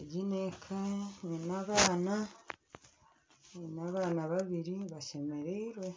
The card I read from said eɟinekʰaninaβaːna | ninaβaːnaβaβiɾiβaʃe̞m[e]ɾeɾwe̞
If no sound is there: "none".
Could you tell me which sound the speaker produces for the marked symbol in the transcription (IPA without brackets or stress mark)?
e